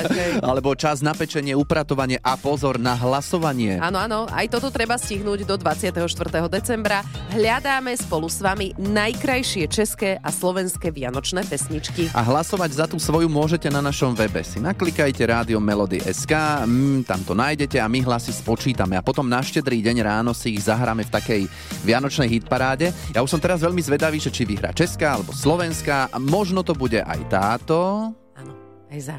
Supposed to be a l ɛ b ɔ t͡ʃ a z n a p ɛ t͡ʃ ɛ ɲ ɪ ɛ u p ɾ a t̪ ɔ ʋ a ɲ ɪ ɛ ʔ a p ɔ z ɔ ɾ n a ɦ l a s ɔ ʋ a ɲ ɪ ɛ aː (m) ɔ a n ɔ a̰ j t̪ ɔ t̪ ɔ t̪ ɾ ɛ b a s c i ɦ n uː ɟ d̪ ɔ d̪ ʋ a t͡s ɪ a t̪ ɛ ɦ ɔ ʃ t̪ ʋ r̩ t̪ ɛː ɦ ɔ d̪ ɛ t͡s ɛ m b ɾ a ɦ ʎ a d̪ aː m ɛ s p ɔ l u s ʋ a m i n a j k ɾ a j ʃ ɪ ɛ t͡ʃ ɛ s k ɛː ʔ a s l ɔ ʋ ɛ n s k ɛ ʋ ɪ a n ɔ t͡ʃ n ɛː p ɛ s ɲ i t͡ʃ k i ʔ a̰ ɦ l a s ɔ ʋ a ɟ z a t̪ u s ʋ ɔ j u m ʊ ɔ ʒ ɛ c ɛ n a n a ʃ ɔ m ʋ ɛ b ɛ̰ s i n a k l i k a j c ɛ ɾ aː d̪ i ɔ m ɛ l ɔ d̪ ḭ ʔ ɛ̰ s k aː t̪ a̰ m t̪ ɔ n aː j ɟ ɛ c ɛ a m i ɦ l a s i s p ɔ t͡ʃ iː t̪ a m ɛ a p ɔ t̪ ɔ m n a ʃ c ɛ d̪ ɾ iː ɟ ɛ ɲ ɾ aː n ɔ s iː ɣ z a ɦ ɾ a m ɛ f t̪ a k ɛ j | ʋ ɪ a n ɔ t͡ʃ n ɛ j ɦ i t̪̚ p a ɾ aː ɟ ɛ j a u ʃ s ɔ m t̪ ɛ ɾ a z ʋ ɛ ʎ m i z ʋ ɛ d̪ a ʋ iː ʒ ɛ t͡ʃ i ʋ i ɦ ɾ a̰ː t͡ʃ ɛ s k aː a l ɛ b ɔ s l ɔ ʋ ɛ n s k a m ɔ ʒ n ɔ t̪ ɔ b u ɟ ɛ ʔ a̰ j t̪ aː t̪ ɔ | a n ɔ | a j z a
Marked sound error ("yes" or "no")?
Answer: yes